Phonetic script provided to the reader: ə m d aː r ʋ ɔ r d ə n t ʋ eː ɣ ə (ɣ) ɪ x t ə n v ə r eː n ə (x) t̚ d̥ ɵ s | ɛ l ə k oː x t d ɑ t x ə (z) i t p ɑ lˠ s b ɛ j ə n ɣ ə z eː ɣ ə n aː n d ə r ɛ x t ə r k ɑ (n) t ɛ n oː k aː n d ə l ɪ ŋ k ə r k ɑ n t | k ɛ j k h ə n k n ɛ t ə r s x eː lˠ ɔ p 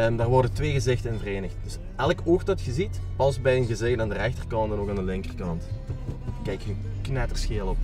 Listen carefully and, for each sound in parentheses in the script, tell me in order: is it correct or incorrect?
incorrect: z, correct, correct, correct

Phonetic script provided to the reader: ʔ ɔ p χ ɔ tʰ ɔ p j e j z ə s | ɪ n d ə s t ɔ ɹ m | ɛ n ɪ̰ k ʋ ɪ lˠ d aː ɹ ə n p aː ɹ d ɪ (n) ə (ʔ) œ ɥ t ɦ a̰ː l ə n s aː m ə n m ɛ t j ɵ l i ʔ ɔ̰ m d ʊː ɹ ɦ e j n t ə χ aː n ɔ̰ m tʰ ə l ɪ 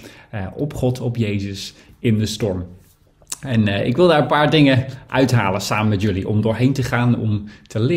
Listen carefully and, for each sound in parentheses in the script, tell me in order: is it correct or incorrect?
incorrect: ŋ, correct

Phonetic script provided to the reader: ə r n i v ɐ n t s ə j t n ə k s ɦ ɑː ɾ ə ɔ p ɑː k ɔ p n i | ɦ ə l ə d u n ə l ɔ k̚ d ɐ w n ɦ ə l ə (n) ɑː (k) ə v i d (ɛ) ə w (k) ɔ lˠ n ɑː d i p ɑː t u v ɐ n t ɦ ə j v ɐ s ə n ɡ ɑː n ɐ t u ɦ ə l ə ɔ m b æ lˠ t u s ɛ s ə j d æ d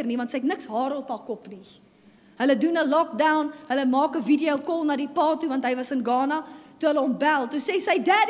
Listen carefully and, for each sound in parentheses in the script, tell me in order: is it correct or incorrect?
incorrect: m, correct, incorrect: i, correct

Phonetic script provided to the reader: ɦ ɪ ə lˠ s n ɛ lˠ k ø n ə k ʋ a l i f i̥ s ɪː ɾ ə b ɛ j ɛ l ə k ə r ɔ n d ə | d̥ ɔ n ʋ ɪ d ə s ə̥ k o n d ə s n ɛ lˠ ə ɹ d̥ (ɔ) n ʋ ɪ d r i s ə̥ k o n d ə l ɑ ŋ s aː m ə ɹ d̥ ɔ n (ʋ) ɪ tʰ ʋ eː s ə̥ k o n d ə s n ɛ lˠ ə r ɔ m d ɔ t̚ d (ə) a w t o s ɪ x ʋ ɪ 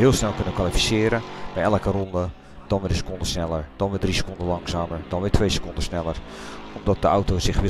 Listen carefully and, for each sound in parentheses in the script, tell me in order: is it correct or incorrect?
correct, correct, correct

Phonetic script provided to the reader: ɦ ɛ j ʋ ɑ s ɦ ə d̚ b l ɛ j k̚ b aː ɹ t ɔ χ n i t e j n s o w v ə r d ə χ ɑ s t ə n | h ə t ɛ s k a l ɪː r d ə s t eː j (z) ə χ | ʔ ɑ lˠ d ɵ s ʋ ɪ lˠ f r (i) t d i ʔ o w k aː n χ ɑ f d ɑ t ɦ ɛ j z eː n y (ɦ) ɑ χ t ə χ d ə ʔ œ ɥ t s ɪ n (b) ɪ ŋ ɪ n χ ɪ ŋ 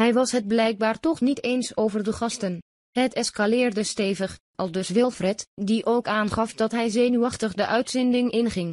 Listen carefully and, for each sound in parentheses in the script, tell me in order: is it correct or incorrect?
incorrect: v, incorrect: ɛ, incorrect: none, incorrect: d

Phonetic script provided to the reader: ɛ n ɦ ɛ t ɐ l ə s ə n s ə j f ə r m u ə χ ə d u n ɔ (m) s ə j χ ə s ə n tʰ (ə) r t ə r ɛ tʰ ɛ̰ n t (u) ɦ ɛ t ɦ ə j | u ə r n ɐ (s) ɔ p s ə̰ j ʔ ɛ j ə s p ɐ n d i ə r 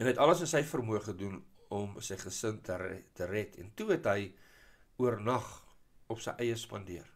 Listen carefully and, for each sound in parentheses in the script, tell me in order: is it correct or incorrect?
correct, correct, correct, incorrect: χ

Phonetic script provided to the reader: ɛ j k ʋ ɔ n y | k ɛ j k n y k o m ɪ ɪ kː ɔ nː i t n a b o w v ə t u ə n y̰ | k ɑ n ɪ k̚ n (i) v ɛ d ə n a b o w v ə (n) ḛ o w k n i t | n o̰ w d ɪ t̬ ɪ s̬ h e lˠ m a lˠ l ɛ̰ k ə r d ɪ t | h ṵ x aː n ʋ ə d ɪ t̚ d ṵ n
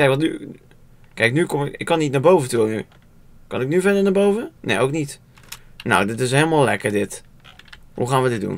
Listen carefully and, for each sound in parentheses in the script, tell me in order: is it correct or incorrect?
incorrect: y, correct

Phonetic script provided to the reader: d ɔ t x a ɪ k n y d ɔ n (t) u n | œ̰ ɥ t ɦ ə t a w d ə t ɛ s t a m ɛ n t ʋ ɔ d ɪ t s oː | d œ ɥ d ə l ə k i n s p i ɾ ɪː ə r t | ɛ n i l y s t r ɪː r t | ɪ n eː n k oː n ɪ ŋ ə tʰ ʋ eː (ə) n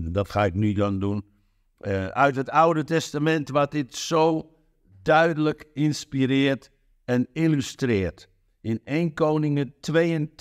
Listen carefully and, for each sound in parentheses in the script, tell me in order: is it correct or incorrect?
incorrect: d, correct

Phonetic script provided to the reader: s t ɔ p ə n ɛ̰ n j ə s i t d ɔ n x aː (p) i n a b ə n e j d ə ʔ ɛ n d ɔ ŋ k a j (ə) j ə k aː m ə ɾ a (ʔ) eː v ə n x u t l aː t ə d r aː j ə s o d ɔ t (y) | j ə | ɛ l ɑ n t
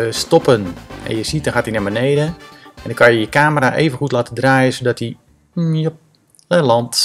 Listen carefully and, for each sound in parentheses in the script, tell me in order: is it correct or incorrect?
incorrect: t, correct, correct, incorrect: i

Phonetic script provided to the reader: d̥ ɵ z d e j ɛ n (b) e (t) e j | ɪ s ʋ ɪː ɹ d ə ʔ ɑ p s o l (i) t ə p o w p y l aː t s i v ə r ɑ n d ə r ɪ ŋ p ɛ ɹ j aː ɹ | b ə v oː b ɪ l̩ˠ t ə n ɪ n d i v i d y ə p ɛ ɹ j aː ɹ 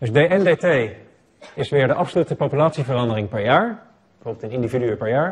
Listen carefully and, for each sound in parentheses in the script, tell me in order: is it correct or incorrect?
incorrect: d, correct, incorrect: y

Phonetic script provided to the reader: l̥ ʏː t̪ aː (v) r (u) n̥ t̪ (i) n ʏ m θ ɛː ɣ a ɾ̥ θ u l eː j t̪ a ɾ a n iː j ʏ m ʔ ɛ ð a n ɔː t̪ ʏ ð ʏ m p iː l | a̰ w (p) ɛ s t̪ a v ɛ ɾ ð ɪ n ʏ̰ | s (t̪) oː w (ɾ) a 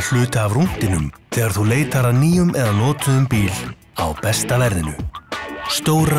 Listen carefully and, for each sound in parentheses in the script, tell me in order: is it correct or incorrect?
correct, correct, incorrect: ɪ, correct, correct, correct

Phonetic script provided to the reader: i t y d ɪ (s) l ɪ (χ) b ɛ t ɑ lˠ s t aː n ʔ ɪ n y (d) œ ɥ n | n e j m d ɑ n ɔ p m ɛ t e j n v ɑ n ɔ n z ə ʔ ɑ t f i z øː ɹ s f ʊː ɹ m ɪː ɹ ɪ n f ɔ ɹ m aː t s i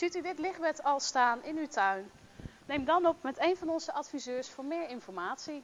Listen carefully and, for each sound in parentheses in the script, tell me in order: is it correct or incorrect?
incorrect: t, correct, incorrect: t

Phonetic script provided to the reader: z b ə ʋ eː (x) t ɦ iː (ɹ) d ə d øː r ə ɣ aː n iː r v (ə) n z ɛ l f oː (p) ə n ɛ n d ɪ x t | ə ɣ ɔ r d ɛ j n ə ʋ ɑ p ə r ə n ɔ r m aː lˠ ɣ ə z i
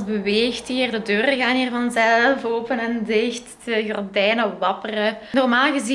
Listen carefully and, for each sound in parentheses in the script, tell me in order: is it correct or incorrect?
correct, incorrect: r, incorrect: ɑ, correct

